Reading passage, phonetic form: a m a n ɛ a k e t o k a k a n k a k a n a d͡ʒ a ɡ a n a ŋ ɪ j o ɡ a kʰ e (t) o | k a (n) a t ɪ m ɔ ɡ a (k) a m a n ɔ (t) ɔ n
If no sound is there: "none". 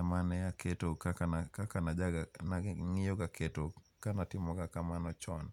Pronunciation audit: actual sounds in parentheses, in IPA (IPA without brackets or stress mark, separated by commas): t, n, k, t͡ʃ